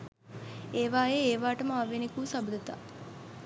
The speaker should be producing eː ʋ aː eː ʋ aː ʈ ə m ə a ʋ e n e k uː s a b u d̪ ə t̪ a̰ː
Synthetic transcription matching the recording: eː ʋ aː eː ʋ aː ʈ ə m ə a ʋ e n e k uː s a b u d̪ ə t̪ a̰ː